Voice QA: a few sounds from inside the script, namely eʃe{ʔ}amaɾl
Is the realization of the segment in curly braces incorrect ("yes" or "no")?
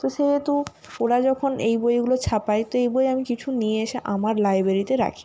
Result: no